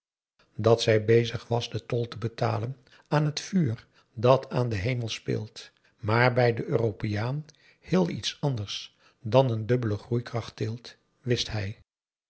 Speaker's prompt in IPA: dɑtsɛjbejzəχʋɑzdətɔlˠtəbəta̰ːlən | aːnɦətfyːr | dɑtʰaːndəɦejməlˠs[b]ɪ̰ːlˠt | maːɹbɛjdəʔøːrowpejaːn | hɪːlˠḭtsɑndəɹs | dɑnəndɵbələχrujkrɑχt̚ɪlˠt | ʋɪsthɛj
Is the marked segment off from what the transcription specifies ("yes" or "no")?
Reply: yes